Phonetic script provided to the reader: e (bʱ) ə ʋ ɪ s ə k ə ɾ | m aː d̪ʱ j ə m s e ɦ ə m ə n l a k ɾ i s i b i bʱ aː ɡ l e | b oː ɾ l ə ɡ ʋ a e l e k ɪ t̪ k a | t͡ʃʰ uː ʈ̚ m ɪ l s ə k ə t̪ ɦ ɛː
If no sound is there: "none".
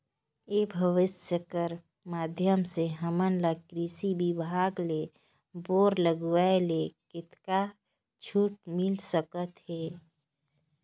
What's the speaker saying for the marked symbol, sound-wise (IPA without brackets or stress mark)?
bʱ